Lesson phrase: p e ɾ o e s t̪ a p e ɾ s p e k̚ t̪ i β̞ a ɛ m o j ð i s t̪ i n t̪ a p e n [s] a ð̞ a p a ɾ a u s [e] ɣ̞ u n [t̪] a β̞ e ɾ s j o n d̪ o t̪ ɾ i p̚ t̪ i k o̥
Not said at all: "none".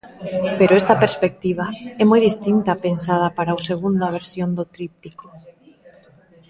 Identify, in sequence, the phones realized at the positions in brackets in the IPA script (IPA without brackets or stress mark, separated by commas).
s, e, d̪